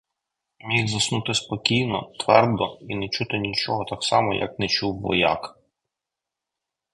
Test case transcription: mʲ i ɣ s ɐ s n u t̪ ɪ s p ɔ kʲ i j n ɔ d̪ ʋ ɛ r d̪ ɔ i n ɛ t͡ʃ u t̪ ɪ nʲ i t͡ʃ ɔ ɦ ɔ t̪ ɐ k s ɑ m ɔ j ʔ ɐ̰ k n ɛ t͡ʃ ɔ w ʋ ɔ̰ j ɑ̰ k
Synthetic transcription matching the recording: mʲ i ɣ z ɐ s n u t̪ ɪ s p ɔ kʲ i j n ɔ t̪ ʋ ɛ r d̪ ɔ i n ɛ t͡ʃ u t̪ ɪ nʲ i t͡ʃ ɔ ɦ ɔ t̪ ɑ k s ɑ m ɔ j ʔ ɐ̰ k n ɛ t͡ʃ u w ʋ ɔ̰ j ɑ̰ k